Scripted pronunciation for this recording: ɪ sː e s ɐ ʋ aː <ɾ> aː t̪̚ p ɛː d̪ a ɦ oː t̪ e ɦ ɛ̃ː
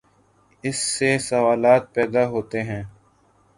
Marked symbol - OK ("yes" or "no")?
no